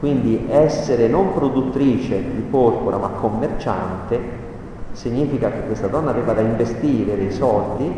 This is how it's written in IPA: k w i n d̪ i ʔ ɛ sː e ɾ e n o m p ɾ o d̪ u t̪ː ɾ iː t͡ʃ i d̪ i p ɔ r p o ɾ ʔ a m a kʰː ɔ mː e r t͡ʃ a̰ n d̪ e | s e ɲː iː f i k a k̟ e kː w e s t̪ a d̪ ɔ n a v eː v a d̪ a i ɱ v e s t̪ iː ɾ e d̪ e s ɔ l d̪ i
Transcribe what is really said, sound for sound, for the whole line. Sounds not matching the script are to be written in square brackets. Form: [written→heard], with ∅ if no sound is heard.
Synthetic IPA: k w i n d̪ i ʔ ɛ sː e ɾ e n o m p ɾ o d̪ u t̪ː ɾ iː t͡ʃ [i→e] d̪ i p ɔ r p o ɾ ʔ a m a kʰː [ɔ→o] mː e r t͡ʃ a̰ n [d̪→t̪] e | s [e→i] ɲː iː f i k a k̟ e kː w e s t̪ a d̪ ɔ [n→nː] a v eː v a d̪ a i ɱ v e s t̪ iː ɾ e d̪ e s ɔ l d̪ i